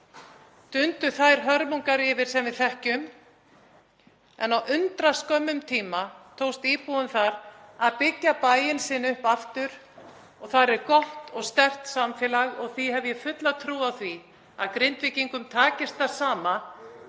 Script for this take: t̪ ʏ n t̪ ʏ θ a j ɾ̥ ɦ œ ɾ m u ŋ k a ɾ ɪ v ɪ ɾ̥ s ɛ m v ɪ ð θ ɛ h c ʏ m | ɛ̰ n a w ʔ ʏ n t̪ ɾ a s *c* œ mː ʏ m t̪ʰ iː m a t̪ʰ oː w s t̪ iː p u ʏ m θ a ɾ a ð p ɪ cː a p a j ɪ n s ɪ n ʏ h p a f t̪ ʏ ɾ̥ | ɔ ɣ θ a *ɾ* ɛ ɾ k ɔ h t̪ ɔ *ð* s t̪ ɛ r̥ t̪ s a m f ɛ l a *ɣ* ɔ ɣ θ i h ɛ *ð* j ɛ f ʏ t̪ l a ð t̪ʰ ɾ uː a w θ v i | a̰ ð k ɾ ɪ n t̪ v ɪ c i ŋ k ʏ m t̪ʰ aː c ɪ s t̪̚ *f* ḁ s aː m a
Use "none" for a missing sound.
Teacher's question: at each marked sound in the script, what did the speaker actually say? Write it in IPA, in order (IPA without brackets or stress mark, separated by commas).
k, ɾ, ɣ, ɣ, v, θ